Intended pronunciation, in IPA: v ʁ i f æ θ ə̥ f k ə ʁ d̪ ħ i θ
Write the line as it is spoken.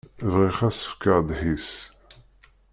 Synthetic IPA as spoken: v ʁ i χ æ s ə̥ f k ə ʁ d̪ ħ i s